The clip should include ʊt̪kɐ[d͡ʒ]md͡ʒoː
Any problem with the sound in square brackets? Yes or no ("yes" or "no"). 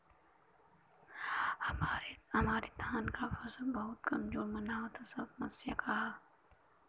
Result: yes